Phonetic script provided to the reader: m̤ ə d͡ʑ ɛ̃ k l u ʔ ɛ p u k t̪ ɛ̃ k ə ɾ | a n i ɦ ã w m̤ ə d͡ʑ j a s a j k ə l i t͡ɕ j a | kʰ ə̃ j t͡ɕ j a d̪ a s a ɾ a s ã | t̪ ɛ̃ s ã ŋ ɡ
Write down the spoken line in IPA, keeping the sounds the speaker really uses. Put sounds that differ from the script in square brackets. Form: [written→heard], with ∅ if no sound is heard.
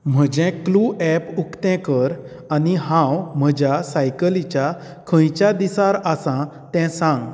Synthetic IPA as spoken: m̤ ə d͡ʑ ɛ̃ k l u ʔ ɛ p u k t̪ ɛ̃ k ə ɾ | a n i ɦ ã w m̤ ə d͡ʑ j a s a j k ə l i t͡ɕ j a | kʰ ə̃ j t͡ɕ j a d̪ [a→i] s a ɾ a s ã | t̪ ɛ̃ s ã ŋ ɡ